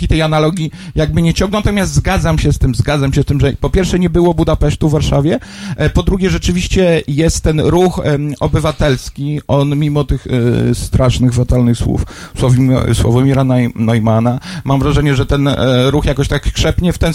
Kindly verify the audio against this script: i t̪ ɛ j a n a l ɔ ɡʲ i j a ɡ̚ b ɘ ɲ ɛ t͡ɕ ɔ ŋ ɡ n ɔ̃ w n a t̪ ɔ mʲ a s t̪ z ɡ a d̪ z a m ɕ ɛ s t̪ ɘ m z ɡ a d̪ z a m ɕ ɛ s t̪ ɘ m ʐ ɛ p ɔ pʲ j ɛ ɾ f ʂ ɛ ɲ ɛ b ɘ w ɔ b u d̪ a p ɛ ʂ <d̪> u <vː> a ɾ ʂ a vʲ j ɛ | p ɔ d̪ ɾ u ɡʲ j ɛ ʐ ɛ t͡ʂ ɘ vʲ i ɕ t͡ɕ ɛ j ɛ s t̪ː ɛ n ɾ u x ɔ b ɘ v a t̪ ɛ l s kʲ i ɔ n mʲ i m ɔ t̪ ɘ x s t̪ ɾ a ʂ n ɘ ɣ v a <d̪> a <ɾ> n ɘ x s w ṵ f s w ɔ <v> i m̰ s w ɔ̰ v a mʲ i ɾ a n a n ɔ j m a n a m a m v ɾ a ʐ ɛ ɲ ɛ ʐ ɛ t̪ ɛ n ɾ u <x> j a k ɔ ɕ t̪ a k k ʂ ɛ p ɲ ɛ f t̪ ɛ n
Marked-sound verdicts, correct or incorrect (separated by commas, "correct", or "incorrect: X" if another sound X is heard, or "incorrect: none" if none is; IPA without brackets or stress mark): incorrect: t̪, correct, incorrect: t̪, incorrect: l, correct, correct